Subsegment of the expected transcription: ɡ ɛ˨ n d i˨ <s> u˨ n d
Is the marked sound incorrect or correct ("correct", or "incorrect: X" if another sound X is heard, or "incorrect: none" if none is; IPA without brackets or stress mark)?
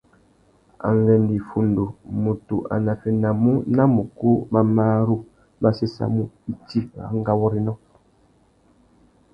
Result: incorrect: f